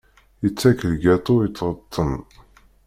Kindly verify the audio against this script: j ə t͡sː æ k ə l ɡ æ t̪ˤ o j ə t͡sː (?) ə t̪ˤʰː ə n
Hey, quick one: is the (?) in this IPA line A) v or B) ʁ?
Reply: B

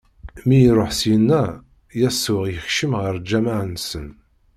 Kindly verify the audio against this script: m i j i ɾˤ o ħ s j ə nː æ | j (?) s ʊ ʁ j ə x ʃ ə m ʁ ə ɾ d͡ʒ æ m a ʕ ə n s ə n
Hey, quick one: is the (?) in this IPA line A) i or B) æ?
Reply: B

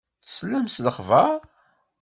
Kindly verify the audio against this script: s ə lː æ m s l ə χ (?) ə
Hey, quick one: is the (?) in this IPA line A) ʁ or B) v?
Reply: B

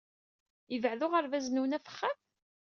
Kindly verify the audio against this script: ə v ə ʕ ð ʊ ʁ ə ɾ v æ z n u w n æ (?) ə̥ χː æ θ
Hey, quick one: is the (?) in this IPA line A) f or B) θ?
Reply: A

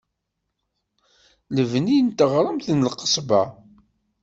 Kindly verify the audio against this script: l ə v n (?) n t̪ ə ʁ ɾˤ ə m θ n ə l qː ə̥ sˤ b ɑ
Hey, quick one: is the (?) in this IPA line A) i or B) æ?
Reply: A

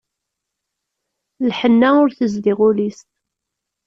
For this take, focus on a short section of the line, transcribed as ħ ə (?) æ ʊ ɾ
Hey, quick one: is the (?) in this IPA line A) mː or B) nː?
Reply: B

